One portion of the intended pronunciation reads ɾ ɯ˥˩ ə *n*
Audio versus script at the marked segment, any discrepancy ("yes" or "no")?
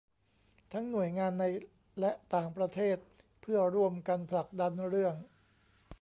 yes